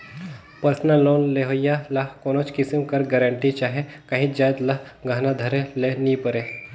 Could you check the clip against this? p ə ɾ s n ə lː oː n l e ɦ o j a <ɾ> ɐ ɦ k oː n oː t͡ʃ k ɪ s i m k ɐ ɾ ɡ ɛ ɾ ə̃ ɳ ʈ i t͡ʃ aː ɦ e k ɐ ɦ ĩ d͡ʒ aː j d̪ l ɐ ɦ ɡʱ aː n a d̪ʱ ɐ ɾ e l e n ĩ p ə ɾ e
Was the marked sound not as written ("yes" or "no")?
yes